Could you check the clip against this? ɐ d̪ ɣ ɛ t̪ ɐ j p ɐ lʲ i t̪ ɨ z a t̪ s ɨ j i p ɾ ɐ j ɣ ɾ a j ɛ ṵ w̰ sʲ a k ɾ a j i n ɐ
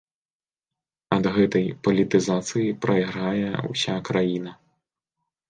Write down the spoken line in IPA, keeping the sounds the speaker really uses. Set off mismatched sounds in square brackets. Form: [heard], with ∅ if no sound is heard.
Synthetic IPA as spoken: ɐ d̪ ɣ ɛ t̪ ɐ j p ɐ lʲ i t̪ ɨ z a t̪ s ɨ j i p ɾ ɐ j ɣ ɾ a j ɛ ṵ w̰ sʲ a k ɾ a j i n ɐ